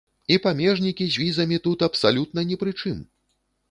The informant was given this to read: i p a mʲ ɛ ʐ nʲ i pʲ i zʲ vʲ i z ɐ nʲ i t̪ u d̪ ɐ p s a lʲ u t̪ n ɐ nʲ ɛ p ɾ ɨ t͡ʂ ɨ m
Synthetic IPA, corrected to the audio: i p a mʲ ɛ ʐ nʲ i kʲ i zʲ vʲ i z ɐ mʲ i t̪ u t̪ ɐ p s a lʲ u t̪ n ɐ nʲ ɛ p ɾ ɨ t͡ʂ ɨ m